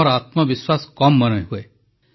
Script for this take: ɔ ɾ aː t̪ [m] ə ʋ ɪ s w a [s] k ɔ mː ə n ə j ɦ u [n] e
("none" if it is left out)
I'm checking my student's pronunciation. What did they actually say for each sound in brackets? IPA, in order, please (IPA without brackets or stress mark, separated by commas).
m, s, none